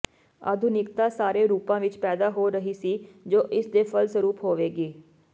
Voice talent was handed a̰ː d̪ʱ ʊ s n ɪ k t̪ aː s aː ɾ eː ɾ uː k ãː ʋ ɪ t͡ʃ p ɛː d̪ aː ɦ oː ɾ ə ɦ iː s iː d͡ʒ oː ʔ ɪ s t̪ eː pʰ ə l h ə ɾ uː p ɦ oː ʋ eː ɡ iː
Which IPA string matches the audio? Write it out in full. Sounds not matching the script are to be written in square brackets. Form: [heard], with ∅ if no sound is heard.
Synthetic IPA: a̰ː d̪ʱ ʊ [∅] n ɪ k t̪ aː s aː ɾ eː ɾ uː [p] ãː ʋ ɪ t͡ʃ p ɛː d̪ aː ɦ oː ɾ ə ɦ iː s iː d͡ʒ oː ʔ ɪ s [d̪] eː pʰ ə l [s] ə ɾ uː p ɦ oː ʋ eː ɡ iː